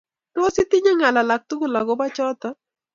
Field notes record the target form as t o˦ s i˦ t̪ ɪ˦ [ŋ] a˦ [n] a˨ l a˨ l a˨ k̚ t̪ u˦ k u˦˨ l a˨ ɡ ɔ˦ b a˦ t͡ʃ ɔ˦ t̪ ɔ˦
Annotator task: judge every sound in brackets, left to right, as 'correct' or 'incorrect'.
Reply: incorrect: ɲ, incorrect: ŋ

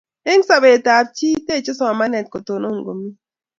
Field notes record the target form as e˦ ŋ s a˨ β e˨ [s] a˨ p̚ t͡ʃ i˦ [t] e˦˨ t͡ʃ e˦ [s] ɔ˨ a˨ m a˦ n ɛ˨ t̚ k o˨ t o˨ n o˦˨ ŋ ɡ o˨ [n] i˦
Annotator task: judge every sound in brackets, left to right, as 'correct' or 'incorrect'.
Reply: incorrect: t, correct, correct, incorrect: m

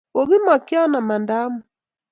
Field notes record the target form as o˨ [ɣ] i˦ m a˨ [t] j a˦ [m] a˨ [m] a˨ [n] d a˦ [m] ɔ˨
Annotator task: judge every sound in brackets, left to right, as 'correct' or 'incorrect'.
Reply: correct, incorrect: k, incorrect: n, correct, correct, correct

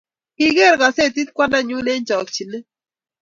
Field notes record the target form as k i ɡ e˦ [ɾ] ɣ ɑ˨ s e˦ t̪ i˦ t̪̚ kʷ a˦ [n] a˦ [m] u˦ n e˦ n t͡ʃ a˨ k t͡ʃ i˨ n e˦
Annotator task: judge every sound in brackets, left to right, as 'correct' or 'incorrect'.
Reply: correct, correct, incorrect: ɲ

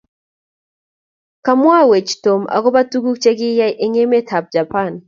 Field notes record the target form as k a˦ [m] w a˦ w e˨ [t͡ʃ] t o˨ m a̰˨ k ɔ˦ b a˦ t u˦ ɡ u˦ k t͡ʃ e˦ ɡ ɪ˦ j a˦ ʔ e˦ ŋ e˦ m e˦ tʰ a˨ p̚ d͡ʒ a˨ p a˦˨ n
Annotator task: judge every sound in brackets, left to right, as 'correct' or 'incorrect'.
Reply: correct, correct

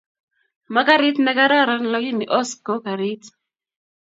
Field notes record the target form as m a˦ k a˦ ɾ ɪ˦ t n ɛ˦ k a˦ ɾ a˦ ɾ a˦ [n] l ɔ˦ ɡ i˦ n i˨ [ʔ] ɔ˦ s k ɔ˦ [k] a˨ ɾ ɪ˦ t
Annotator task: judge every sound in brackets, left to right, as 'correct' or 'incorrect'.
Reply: correct, correct, correct

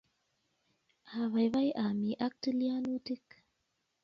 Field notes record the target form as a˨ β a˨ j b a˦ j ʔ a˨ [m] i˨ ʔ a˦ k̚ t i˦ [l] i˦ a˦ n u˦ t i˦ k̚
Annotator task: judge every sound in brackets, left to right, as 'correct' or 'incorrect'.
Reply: correct, correct

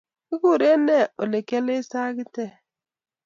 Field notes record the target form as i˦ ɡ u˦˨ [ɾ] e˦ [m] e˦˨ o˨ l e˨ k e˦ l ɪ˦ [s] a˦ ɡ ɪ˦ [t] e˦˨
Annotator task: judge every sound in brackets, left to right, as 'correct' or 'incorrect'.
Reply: correct, incorrect: n, correct, correct

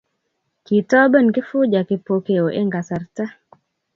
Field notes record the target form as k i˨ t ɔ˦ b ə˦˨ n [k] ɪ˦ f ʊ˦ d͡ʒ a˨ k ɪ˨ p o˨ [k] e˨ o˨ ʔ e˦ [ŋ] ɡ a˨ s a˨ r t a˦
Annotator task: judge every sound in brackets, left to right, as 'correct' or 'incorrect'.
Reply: correct, correct, correct

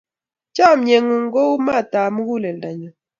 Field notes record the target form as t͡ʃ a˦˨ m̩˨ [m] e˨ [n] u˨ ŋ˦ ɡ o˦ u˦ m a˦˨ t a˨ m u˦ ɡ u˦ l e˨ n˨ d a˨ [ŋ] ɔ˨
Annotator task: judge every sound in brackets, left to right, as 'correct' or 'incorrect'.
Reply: incorrect: ɲ, incorrect: ŋ, incorrect: ɲ

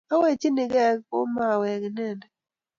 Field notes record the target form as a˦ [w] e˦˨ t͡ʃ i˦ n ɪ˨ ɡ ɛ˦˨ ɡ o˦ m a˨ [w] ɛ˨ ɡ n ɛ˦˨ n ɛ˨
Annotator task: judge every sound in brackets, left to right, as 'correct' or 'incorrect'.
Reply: correct, correct

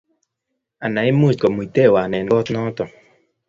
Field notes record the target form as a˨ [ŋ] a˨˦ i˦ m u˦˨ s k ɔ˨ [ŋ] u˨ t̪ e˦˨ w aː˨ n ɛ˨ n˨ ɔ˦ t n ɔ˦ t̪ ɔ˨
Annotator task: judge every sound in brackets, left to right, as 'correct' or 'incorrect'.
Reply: incorrect: n, incorrect: m

